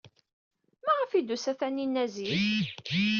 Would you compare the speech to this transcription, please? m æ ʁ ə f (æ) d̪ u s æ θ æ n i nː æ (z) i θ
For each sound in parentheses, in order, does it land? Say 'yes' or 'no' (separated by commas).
no, yes